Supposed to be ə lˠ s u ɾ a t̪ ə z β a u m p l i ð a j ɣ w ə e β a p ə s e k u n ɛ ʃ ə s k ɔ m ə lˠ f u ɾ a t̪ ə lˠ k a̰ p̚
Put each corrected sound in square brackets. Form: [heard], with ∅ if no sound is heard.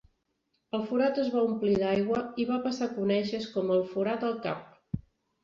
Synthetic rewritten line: ə lˠ [f] u ɾ a t̪ ə z β a u m p l i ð a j ɣ w ə [i] β a p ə s [a] k u n ɛ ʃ ə s k ɔ m ə lˠ f u ɾ a t̪ ə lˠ k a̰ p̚